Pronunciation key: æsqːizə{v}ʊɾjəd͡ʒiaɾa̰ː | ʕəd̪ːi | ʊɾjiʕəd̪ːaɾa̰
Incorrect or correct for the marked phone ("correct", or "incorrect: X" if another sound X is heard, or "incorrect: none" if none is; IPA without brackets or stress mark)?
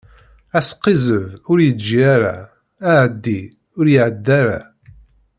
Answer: correct